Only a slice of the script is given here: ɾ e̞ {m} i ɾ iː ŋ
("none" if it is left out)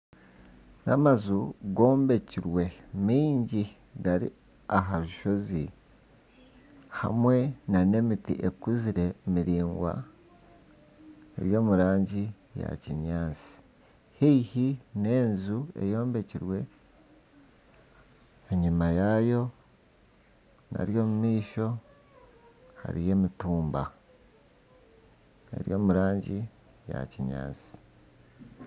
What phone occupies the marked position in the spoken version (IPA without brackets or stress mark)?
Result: m